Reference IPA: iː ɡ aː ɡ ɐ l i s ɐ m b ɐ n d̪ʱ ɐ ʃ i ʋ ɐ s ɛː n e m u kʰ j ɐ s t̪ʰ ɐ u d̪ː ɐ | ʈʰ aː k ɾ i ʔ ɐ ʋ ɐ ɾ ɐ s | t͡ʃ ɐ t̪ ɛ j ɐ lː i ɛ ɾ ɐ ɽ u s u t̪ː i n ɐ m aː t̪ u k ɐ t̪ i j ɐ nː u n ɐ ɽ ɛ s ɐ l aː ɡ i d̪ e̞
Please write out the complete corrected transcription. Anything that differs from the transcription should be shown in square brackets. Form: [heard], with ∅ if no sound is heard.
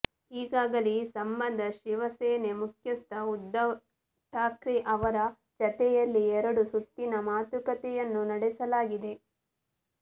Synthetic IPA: iː ɡ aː ɡ ɐ l i s ɐ m b ɐ n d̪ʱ ɐ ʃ i ʋ ɐ s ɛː n e m u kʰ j ɐ s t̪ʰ ɐ u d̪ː ɐ | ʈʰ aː k ɾ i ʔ ɐ ʋ ɐ ɾ ɐ [∅] | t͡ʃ ɐ t̪ ɛ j ɐ lː i ɛ ɾ ɐ ɽ u s u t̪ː i n ɐ m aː t̪ u k ɐ t̪ [ɛ] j ɐ nː u n ɐ ɽ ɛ s ɐ l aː ɡ i d̪ e̞

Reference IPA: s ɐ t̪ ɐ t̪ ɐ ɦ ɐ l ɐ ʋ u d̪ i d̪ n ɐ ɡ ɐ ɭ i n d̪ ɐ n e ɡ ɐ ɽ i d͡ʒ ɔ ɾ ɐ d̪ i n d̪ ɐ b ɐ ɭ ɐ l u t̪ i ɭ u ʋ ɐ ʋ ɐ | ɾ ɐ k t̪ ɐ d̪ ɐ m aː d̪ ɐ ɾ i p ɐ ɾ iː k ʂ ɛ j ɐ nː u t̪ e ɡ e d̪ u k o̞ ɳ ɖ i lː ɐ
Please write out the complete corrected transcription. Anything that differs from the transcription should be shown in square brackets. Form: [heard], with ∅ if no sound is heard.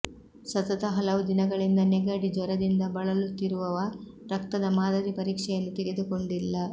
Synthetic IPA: s ɐ t̪ ɐ t̪ ɐ ɦ ɐ l ɐ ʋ u d̪ i [∅] n ɐ ɡ ɐ ɭ i n d̪ ɐ n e ɡ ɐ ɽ i d͡ʒ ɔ ɾ ɐ d̪ i n d̪ ɐ b ɐ ɭ ɐ l u t̪ i [ɾ] u ʋ ɐ ʋ ɐ | ɾ ɐ k t̪ ɐ d̪ ɐ m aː d̪ ɐ ɾ i p ɐ ɾ iː k ʂ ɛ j ɐ nː u t̪ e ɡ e d̪ u k o̞ ɳ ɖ i lː ɐ

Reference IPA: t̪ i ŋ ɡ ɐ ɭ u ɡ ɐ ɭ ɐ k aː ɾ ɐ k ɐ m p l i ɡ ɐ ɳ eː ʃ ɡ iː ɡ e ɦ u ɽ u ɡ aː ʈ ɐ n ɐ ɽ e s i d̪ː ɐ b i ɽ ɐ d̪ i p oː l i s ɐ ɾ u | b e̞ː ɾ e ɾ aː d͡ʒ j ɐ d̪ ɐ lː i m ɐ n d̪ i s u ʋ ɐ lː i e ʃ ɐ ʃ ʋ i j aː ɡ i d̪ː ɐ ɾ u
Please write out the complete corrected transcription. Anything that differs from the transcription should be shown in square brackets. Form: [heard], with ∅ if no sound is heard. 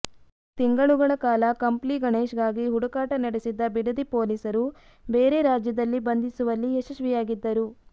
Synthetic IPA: t̪ i ŋ ɡ ɐ ɭ u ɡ ɐ ɭ ɐ k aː [l] ɐ k ɐ m p l i ɡ ɐ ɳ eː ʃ ɡ [aː] ɡ [i] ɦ u ɽ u [k] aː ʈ ɐ n ɐ ɽ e s i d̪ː ɐ b i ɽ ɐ d̪ i p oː l i s ɐ ɾ u | b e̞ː ɾ e ɾ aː d͡ʒ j ɐ d̪ ɐ lː i [b] ɐ n d̪ i s u ʋ ɐ lː i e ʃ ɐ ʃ ʋ i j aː ɡ i d̪ː ɐ ɾ u

